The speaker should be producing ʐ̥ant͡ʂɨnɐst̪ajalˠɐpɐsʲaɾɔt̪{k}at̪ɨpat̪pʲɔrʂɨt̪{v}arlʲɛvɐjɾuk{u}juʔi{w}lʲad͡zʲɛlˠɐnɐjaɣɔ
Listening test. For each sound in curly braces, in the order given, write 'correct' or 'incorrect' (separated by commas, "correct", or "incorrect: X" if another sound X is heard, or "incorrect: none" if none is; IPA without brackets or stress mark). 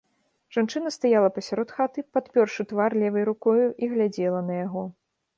incorrect: x, correct, incorrect: ɔ, incorrect: ɣ